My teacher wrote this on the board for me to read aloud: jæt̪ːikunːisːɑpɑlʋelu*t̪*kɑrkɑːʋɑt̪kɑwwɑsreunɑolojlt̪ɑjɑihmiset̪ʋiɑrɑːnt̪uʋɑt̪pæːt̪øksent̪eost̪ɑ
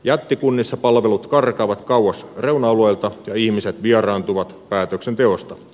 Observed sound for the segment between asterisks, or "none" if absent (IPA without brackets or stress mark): t̪